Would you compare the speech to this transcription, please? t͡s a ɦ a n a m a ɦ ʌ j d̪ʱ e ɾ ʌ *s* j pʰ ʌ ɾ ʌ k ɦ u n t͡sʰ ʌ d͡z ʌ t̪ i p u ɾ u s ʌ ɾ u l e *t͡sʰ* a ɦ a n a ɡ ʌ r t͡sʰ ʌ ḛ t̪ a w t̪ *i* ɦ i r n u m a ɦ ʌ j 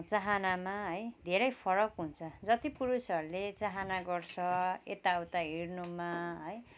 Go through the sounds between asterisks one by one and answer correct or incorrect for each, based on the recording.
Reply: incorrect: none, incorrect: t͡s, incorrect: a

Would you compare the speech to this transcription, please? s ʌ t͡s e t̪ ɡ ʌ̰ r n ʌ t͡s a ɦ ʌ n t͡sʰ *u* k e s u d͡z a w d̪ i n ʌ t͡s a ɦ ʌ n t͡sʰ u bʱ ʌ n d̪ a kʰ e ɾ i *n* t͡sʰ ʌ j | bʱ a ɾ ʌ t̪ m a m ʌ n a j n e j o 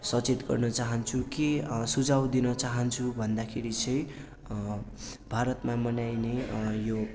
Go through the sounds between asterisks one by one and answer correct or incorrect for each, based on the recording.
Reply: correct, incorrect: none

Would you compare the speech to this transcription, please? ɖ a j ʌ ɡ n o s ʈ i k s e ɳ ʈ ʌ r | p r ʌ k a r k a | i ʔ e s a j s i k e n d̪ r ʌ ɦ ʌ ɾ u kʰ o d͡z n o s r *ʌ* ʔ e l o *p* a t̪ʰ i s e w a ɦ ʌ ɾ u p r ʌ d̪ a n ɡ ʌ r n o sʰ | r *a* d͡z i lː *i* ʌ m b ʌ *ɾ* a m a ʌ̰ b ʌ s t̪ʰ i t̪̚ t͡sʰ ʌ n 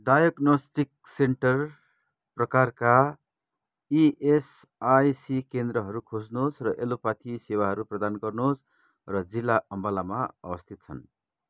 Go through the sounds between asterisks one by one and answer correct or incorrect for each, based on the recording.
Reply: correct, correct, incorrect: ʌ, incorrect: a, incorrect: l

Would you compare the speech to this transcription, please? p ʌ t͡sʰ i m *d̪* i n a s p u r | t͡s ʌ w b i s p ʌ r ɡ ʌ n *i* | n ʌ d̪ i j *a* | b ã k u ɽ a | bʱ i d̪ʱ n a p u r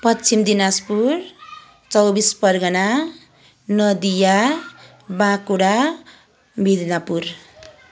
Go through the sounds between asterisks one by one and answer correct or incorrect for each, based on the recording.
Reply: correct, incorrect: a, correct

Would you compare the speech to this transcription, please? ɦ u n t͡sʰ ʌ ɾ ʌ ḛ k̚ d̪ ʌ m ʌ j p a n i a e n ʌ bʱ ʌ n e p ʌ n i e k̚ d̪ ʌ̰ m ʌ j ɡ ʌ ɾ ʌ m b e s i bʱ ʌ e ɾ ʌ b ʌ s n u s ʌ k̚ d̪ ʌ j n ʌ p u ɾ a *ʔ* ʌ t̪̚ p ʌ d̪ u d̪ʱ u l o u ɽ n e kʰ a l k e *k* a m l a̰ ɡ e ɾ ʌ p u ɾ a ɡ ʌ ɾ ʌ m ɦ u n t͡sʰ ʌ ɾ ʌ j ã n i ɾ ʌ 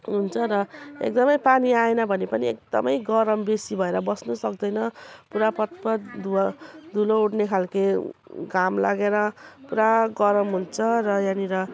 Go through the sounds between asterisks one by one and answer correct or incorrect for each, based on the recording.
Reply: incorrect: p, incorrect: ɡ

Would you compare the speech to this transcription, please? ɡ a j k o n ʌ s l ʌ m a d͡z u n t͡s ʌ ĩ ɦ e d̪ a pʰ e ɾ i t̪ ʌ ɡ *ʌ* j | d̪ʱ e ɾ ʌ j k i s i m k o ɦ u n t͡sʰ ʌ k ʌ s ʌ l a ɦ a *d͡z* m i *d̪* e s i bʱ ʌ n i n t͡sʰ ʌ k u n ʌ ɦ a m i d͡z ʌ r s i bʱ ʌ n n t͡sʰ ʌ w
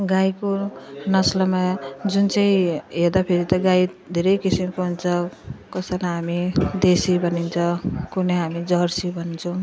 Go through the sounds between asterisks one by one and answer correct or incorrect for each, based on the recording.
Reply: incorrect: a, incorrect: none, correct

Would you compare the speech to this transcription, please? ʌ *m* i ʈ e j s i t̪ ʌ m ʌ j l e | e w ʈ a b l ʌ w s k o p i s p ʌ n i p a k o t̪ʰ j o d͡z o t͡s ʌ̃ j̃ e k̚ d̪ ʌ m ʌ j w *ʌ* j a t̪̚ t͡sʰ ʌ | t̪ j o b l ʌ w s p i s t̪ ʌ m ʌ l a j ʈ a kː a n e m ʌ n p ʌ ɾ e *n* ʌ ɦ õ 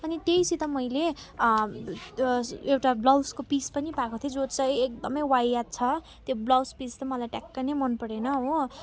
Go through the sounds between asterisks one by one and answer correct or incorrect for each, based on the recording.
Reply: incorrect: n, incorrect: a, correct

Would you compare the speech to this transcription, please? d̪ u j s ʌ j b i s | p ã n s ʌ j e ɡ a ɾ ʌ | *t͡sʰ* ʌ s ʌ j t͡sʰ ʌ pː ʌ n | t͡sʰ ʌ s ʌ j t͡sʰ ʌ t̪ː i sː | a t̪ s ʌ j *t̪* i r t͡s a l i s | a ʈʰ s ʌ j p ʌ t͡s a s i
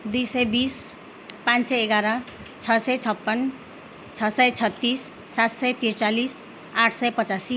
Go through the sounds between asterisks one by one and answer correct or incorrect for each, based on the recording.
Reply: correct, correct

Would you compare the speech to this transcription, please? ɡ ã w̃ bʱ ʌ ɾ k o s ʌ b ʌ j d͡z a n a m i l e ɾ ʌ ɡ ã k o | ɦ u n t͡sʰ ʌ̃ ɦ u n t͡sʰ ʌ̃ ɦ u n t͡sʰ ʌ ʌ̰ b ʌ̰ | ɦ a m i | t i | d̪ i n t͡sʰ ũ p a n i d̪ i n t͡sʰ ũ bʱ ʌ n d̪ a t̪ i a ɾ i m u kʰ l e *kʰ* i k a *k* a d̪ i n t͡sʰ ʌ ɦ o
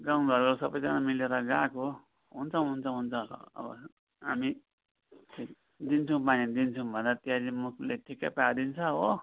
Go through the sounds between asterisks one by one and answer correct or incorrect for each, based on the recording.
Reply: incorrect: ʈʰ, incorrect: p

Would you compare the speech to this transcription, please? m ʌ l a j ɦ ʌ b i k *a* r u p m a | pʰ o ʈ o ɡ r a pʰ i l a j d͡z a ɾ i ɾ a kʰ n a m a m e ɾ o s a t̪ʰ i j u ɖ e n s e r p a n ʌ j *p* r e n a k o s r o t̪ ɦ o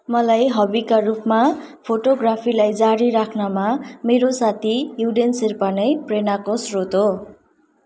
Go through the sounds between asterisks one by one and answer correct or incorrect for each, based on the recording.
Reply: correct, correct

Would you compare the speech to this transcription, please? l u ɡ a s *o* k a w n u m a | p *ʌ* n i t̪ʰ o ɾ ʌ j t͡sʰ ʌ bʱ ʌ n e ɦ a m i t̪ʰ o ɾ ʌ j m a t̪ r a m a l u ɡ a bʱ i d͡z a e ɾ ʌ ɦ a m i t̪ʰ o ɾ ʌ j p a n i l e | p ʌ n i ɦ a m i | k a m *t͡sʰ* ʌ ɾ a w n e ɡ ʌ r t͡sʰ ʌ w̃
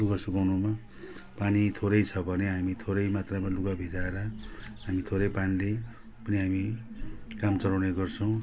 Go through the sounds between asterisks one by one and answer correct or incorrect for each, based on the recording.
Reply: incorrect: u, incorrect: a, incorrect: t͡s

